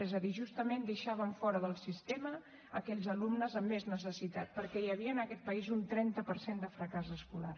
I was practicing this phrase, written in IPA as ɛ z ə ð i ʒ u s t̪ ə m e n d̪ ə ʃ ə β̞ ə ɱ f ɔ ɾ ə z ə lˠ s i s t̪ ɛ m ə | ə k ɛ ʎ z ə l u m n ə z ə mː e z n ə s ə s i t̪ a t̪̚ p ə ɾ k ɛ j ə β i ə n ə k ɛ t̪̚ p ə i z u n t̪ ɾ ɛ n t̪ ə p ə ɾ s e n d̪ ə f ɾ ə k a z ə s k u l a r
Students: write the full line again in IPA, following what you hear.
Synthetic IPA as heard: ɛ z ə ð i ʒ u s t̪ ə m e n d̪ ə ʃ a β̞ ə ɱ f ɔ ɾ ə ð ə lˠ s i s t̪ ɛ m ə | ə k ɛ ʎ z ə l u m n ə z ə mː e z n ə s ə s i t̪ a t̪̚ p ə ɾ k ɛ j ə β i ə n ə k ɛ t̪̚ p ə i z u n t̪ ɾ ɛ n t̪ ə p ə ɾ s e n d̪ ə f ɾ ə k a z ə s k u l a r